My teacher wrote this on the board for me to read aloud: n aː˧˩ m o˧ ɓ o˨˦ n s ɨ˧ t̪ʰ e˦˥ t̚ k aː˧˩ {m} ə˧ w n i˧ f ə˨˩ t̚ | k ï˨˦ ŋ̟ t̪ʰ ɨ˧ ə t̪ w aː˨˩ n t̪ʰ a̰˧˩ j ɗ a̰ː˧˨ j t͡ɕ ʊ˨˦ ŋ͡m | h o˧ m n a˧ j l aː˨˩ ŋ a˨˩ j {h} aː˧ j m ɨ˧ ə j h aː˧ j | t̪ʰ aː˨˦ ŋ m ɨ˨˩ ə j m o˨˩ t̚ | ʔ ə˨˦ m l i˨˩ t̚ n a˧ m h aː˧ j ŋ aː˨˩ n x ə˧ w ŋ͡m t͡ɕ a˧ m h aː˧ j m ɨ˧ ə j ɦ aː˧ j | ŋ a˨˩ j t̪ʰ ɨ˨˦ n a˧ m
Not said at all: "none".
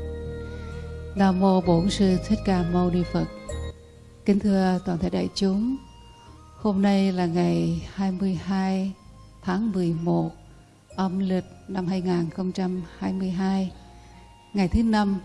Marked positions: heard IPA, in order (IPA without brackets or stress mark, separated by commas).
m, h